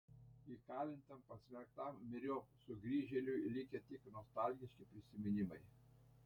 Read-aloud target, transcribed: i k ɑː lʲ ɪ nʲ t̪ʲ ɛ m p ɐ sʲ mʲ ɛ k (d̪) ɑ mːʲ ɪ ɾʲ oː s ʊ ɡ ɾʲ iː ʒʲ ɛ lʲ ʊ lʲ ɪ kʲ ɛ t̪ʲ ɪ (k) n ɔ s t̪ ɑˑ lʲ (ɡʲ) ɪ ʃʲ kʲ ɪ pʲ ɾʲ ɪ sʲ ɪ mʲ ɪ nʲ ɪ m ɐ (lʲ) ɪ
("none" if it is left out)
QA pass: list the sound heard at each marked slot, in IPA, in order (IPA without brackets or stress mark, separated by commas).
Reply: t̪, k, ɡʲ, none